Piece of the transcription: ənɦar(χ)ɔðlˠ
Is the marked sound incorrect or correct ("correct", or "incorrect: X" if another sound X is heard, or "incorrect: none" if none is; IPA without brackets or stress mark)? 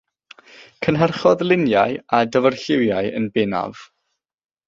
correct